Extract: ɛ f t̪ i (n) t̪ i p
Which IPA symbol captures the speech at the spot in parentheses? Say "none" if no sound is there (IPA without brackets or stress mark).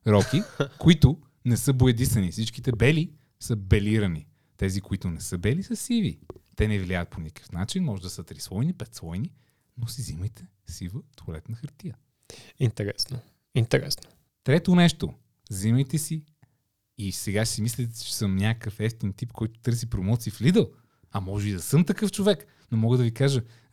n